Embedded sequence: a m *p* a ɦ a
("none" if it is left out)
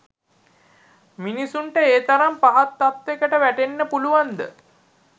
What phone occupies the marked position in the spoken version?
p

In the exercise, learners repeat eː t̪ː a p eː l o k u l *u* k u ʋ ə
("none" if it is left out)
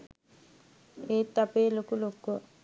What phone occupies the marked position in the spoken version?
o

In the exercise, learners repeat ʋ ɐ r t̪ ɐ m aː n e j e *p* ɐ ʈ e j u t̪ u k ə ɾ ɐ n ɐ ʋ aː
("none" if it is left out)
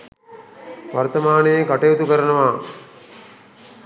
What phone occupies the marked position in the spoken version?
k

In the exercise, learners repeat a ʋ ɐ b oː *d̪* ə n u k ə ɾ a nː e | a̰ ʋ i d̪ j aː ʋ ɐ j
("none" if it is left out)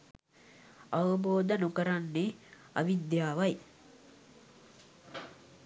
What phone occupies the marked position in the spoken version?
d̪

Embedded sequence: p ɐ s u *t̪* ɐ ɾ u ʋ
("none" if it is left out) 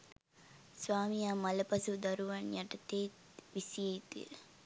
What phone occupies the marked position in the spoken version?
d̪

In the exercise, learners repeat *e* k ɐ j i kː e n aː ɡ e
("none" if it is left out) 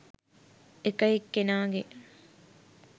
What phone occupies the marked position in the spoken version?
e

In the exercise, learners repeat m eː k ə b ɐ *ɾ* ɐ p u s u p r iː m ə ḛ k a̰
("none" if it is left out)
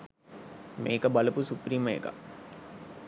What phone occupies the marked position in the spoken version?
l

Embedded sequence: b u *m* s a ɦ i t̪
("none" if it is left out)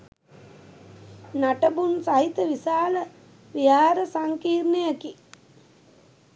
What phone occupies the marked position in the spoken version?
n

